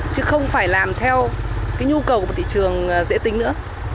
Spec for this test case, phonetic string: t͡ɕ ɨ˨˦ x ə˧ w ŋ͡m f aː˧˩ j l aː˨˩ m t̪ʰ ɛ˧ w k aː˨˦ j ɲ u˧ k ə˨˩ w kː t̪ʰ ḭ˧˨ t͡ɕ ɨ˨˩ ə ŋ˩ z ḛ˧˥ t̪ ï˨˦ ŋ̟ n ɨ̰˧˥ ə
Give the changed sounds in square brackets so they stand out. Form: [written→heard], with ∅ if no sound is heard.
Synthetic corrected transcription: t͡ɕ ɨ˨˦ x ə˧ w ŋ͡m f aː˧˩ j l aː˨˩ m t̪ʰ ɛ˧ w k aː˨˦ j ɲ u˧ k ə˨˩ w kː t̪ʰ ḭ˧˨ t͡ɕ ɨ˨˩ ə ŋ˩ z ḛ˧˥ t̪ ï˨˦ ŋ̟ n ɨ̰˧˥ ə